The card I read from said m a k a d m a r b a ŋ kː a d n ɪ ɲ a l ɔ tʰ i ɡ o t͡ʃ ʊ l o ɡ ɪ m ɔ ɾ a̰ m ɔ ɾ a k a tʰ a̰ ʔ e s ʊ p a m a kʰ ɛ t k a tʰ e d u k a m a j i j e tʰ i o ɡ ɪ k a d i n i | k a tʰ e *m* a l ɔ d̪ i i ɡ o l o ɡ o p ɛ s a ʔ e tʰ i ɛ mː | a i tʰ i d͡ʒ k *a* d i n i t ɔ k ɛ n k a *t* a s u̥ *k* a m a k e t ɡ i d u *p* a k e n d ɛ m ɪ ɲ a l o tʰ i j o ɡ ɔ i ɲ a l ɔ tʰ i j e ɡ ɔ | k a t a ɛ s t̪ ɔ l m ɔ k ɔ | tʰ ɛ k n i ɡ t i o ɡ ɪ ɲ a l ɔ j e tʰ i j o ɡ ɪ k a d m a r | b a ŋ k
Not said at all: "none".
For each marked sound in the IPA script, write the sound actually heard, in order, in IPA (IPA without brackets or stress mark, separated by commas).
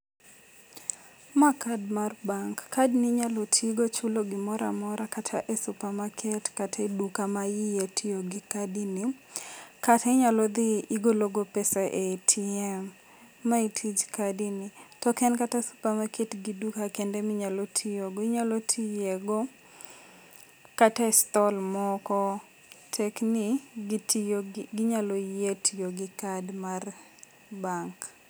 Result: ɲ, a, t, p, k